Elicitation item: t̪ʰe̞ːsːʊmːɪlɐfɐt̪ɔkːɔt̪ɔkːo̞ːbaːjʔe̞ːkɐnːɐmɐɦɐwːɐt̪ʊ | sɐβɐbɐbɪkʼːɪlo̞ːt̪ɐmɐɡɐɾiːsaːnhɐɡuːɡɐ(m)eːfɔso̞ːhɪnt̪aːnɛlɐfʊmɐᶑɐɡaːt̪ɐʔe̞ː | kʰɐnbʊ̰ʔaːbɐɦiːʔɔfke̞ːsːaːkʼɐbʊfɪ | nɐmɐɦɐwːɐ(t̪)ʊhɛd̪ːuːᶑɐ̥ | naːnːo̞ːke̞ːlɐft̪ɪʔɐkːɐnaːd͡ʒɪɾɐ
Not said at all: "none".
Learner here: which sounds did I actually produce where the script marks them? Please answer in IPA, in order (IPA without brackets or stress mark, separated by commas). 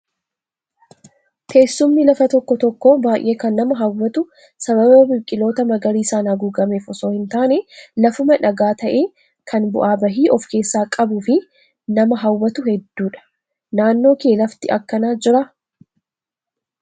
m, t̪